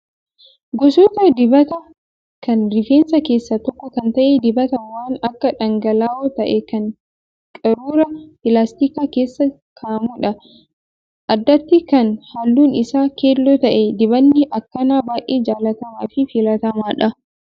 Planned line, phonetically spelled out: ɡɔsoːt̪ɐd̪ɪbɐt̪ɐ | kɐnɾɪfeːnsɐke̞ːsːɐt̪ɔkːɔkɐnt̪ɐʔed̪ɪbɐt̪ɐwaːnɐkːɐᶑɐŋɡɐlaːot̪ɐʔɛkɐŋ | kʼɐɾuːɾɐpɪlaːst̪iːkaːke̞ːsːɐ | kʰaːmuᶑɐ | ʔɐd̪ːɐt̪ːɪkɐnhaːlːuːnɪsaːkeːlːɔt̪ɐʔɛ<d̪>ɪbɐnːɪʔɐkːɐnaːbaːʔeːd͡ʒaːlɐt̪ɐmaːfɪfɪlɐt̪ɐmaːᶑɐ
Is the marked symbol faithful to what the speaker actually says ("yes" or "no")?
yes